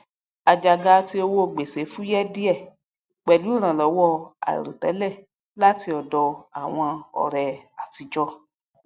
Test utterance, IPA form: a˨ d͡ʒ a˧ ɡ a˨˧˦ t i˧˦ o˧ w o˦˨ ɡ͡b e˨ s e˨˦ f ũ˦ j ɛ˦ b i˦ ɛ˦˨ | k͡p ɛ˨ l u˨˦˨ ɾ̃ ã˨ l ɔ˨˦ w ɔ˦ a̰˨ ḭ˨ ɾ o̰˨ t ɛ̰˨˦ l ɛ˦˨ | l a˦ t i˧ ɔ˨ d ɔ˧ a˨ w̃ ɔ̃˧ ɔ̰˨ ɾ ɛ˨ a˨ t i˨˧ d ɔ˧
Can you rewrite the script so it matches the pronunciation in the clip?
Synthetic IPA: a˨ d͡ʒ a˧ ɡ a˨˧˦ t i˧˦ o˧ w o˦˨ ɡ͡b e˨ s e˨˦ f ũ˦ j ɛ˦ d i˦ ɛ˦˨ | k͡p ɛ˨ l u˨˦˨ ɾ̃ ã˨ l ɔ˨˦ w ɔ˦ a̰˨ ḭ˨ ɾ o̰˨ t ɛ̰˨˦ l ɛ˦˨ | l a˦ t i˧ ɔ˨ d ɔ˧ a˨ w̃ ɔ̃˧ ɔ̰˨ ɾ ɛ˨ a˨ t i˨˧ d͡ʒ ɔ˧